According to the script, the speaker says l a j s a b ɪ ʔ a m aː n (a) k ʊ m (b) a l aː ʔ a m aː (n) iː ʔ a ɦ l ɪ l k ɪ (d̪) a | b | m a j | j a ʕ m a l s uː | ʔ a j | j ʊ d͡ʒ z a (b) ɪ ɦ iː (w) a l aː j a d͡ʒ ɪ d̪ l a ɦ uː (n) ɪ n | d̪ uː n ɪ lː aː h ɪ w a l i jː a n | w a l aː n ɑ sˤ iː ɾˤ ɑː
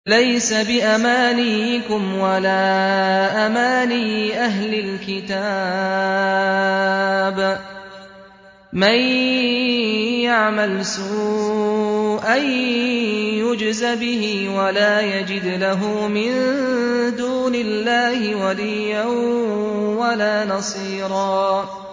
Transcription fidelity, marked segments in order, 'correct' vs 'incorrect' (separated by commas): incorrect, incorrect, correct, incorrect, correct, correct, incorrect